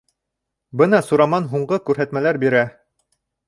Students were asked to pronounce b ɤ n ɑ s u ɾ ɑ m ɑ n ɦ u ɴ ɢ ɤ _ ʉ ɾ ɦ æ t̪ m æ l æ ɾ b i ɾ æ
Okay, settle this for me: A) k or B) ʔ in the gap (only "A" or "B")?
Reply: A